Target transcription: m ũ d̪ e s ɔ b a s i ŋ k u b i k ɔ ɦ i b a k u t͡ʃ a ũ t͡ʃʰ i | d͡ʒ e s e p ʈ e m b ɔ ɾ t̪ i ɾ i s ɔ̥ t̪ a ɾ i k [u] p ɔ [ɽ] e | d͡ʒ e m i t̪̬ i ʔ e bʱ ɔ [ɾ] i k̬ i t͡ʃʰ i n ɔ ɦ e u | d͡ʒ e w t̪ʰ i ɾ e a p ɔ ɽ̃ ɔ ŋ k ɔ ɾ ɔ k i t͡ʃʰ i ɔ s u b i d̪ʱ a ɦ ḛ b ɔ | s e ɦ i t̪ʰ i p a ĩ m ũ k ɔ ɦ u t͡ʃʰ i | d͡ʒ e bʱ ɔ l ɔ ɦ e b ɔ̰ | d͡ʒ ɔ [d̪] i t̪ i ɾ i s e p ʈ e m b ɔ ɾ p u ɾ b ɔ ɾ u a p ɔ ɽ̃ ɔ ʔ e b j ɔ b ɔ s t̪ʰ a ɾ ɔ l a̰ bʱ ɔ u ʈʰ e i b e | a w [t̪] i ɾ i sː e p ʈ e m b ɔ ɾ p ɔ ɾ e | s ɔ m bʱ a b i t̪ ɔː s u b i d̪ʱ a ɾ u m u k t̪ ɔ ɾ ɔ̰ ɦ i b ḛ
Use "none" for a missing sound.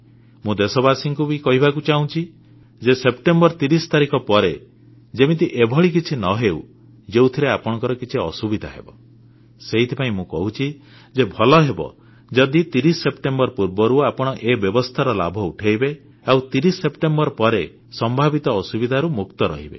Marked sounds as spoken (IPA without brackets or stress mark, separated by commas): ɔ, ɾ, ɭ, d̪, t̪